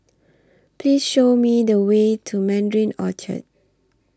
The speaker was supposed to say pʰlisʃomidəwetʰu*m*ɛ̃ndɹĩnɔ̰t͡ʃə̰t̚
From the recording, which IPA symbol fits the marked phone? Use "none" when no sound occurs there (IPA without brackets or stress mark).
m